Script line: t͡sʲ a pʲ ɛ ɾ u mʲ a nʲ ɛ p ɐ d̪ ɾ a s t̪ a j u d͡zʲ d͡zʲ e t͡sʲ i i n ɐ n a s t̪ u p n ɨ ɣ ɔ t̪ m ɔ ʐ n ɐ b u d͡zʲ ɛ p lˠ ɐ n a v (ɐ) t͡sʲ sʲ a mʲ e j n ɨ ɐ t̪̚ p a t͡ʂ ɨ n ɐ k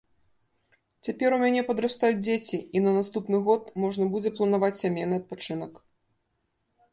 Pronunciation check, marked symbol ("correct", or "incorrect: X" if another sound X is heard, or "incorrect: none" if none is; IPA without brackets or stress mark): incorrect: a